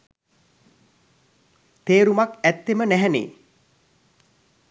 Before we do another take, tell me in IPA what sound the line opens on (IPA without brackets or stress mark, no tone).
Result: t̪